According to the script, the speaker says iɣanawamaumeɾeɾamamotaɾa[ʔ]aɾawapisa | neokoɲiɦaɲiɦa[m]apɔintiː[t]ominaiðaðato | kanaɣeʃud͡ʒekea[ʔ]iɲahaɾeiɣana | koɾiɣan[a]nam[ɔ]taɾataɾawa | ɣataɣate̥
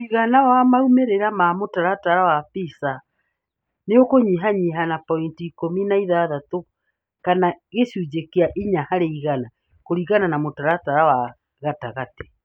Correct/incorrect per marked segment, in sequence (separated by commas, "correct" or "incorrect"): incorrect, incorrect, incorrect, correct, correct, incorrect